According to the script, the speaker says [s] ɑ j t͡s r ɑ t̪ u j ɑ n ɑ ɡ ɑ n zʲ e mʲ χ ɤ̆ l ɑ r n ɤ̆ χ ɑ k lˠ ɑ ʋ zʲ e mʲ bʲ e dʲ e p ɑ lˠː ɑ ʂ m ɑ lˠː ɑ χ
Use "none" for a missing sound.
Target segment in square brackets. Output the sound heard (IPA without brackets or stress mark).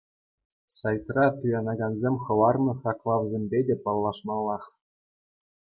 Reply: s